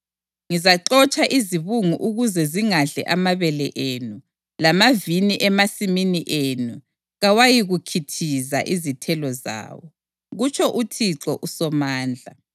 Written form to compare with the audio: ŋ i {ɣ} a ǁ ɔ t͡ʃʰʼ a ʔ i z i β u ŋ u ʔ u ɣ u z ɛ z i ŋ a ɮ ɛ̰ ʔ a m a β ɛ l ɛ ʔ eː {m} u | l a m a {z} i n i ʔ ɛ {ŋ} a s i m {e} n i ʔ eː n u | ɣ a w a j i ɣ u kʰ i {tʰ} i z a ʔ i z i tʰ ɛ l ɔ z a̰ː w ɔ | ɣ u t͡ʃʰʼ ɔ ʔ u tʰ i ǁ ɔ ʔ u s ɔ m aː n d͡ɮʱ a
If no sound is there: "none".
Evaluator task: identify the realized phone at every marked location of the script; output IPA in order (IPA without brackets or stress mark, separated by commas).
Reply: z, n, v, m, i, tʰ